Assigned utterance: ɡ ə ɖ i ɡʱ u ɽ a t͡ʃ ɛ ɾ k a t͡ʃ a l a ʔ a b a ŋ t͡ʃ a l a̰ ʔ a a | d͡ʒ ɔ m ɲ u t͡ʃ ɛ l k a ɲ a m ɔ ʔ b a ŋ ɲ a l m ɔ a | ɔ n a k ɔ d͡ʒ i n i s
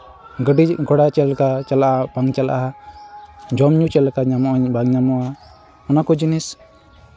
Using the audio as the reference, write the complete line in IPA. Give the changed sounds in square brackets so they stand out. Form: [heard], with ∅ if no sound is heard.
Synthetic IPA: ɡ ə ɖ i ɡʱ [ɔ] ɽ a t͡ʃ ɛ [l] k a t͡ʃ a l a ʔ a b a ŋ t͡ʃ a l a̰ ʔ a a | d͡ʒ ɔ m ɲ u t͡ʃ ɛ l k a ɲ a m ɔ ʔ b a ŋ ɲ a [∅] m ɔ a | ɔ n a k ɔ d͡ʒ i n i s